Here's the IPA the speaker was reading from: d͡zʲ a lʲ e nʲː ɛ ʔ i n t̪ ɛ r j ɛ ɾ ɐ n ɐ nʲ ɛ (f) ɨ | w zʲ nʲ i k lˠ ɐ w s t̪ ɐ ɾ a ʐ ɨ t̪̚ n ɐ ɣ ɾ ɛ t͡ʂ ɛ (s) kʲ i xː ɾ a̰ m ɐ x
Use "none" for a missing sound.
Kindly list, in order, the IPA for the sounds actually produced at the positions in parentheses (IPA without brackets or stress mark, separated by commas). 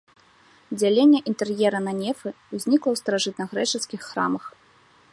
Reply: f, s